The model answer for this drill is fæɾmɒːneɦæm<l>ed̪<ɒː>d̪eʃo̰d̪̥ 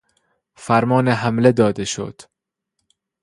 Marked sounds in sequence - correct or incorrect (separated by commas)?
correct, correct